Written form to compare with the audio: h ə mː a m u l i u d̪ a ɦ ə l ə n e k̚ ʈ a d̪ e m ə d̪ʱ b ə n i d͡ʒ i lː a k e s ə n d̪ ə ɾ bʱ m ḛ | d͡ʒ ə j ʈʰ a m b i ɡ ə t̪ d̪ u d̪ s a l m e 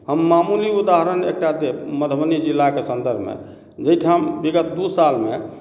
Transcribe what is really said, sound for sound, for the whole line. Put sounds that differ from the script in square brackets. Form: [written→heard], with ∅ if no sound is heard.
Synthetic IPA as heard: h ə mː a m u l i u d̪ a ɦ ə [l→ɾ] ə n e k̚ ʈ a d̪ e m ə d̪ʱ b ə n i d͡ʒ i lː a k e s ə n d̪ ə ɾ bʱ m ḛ | d͡ʒ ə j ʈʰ a m b i ɡ ə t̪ d̪ u [d̪→∅] s a l m e